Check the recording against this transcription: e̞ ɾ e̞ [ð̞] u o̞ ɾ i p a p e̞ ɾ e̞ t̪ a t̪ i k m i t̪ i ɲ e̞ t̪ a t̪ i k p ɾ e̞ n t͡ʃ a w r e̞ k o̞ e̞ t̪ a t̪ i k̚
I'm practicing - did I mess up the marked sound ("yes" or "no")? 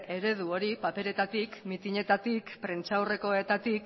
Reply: no